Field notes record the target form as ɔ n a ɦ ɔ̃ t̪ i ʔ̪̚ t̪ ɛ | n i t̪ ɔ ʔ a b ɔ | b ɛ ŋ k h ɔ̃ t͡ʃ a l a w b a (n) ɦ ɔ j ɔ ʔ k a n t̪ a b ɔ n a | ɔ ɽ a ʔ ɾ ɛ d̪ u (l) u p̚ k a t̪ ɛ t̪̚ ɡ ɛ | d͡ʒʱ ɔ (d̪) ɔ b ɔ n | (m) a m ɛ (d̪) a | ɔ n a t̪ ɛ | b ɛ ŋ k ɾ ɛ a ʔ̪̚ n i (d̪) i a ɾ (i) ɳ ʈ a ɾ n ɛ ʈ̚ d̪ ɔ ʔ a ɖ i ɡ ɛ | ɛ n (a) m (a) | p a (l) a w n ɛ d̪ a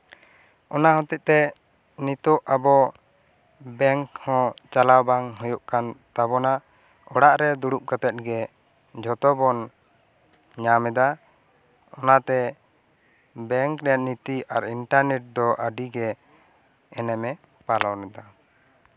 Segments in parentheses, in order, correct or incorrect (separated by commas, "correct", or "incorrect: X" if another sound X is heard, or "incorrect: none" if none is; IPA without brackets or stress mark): incorrect: ŋ, incorrect: ɽ, incorrect: t̪, incorrect: ɲ, correct, incorrect: t̪, correct, incorrect: ɛ, incorrect: ɛ, correct